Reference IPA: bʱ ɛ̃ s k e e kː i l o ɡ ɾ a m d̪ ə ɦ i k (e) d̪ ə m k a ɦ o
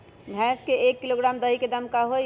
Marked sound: correct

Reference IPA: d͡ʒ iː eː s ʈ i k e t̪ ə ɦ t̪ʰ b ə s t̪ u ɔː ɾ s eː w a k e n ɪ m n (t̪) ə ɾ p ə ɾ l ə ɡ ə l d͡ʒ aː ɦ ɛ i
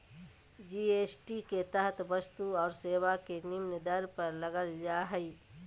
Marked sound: incorrect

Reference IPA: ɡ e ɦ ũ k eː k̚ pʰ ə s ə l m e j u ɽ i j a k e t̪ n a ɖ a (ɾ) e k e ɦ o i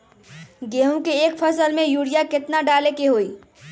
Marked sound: incorrect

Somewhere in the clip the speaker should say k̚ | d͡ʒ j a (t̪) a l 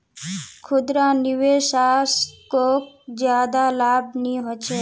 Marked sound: incorrect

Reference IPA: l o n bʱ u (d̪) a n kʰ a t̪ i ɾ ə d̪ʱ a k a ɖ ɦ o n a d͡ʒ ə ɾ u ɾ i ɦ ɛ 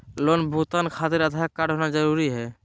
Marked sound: incorrect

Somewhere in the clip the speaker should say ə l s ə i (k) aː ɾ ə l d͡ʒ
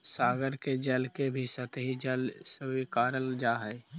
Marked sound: correct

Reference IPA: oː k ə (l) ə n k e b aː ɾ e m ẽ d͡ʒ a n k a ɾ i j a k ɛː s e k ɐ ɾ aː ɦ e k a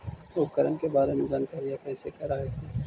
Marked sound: incorrect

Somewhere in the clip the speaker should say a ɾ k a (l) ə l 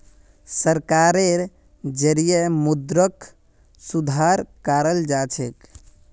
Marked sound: incorrect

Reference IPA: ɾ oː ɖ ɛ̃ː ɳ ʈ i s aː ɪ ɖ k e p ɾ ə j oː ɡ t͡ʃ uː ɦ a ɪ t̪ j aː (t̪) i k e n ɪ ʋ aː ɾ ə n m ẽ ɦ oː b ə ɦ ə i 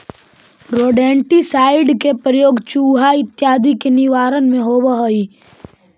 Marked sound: incorrect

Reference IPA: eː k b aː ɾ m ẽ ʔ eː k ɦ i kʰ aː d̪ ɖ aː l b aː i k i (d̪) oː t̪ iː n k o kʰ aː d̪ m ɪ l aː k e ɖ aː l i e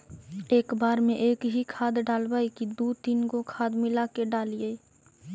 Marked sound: correct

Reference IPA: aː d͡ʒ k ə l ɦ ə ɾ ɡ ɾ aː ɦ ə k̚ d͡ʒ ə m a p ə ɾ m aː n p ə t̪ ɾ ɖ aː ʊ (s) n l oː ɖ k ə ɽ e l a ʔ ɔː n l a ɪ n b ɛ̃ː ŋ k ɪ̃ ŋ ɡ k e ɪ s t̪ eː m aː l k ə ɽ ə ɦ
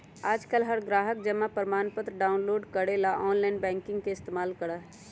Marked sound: incorrect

